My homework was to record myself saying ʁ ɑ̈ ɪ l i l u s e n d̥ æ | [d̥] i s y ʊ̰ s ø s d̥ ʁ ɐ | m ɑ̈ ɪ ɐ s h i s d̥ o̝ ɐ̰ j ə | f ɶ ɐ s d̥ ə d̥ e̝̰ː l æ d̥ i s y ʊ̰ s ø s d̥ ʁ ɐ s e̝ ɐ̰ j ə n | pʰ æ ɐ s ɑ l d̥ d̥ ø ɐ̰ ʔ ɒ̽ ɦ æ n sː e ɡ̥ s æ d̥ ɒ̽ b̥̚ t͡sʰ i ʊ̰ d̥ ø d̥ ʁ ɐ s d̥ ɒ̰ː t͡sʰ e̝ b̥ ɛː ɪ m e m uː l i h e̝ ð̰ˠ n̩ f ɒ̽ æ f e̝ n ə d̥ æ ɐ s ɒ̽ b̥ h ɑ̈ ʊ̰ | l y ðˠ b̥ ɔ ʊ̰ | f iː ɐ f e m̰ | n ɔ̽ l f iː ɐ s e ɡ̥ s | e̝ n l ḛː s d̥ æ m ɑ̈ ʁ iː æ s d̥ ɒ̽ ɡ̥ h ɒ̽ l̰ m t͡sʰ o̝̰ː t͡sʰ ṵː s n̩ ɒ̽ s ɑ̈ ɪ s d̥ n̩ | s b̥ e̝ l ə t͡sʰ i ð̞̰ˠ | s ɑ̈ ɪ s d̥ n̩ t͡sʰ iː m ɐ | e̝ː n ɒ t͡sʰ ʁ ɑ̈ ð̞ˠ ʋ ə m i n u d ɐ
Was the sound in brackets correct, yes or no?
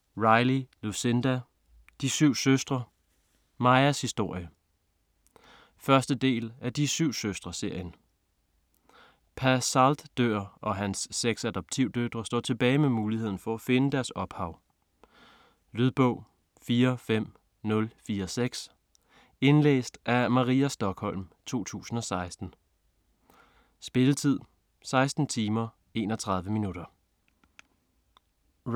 yes